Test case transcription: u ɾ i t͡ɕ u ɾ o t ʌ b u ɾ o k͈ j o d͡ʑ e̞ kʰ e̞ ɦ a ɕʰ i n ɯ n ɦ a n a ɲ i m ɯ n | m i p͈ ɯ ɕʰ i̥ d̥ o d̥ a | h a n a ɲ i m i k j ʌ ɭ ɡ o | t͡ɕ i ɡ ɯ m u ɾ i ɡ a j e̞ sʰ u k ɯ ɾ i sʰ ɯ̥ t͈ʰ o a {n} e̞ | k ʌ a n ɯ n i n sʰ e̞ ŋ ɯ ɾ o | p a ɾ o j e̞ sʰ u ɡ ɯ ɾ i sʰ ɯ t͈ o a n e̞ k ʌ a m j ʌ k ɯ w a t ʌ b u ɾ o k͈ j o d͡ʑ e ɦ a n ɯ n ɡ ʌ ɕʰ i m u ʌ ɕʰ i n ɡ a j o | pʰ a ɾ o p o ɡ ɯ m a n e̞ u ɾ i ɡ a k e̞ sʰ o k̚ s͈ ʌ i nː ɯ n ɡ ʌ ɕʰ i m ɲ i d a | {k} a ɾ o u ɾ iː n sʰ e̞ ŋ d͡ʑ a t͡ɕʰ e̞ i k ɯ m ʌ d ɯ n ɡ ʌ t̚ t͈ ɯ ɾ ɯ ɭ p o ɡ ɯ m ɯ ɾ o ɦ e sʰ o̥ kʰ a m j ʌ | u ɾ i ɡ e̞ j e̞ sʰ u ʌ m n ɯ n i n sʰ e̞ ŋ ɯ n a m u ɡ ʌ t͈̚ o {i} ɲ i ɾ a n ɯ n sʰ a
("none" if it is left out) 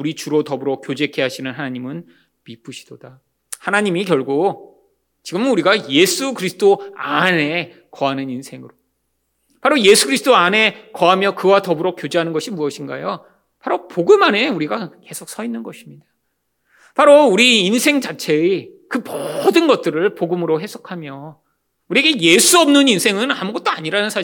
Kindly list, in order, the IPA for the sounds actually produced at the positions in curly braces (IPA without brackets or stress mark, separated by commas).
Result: n, p, a